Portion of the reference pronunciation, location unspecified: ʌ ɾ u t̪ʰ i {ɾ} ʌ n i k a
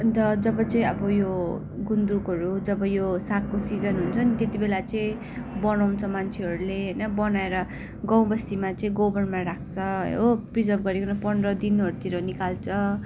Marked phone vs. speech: correct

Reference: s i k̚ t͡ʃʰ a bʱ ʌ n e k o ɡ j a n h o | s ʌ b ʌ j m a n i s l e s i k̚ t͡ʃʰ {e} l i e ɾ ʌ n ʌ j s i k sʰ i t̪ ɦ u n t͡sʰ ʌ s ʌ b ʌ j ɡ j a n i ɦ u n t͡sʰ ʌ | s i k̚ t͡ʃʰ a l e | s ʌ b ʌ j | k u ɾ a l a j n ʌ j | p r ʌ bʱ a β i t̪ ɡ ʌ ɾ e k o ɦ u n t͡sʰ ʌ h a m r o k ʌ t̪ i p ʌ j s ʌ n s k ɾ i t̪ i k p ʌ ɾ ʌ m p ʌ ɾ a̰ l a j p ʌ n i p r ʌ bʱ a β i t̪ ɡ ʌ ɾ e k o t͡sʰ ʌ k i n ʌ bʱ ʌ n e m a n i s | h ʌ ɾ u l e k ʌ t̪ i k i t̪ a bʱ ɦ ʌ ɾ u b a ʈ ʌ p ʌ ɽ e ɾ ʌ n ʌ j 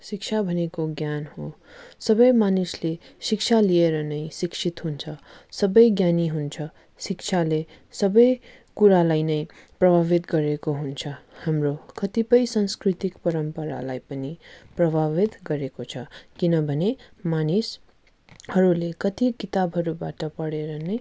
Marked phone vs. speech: incorrect: a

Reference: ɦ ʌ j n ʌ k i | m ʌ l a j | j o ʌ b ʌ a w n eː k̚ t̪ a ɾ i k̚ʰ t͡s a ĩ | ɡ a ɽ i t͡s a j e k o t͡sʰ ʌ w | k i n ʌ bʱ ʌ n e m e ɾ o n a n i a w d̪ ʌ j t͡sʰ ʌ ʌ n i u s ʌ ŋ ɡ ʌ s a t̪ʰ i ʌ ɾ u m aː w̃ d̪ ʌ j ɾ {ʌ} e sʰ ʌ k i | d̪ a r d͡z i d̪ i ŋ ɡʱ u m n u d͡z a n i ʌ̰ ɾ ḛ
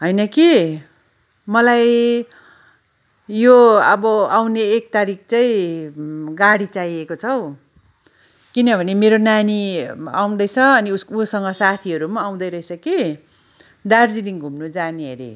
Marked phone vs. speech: correct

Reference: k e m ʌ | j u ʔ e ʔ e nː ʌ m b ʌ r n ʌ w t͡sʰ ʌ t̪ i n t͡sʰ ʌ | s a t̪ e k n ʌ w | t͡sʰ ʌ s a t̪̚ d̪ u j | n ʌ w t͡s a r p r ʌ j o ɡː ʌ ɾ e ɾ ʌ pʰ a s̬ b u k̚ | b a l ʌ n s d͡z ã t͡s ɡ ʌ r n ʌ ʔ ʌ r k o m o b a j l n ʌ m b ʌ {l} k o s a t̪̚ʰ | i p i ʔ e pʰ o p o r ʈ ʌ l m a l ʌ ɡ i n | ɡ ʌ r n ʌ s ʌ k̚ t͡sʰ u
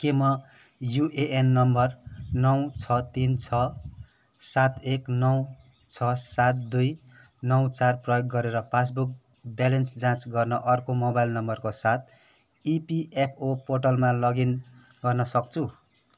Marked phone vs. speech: incorrect: r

